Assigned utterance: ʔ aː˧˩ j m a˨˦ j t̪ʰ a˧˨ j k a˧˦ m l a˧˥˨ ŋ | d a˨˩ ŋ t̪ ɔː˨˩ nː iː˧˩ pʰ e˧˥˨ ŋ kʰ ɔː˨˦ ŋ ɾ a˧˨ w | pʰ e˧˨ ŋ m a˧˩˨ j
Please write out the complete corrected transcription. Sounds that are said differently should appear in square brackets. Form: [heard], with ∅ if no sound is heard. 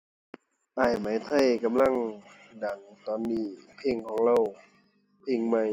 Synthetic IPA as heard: ʔ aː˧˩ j m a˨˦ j t̪ʰ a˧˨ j k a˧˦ m l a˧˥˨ ŋ | d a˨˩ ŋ t̪ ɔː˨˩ nː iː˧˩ pʰ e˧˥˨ ŋ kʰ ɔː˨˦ ŋ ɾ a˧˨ w | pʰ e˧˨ ŋ m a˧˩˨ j